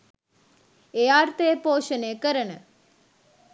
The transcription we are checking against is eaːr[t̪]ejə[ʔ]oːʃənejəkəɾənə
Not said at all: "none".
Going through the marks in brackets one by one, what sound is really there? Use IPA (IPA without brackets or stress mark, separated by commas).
t̪, p